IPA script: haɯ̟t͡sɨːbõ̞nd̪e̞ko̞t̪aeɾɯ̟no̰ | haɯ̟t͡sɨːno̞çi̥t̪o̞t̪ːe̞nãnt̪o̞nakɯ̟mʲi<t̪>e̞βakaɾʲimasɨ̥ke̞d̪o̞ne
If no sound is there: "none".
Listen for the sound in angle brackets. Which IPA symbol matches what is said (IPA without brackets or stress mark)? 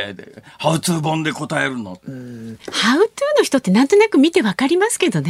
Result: t̪